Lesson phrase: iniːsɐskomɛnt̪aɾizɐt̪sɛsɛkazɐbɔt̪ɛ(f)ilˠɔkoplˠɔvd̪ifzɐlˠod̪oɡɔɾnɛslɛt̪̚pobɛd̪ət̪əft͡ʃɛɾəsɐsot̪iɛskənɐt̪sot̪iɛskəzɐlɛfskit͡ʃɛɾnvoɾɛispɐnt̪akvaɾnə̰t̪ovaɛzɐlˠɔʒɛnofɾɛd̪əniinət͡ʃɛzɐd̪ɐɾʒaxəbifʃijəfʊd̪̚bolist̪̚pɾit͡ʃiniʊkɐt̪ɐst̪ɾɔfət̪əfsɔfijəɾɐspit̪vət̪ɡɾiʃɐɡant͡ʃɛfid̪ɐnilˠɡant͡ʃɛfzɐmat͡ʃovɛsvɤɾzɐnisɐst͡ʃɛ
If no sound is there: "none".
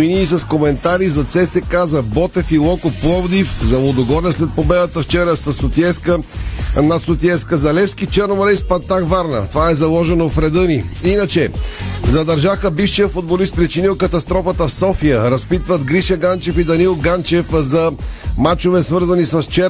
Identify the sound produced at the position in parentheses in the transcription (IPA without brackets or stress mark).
f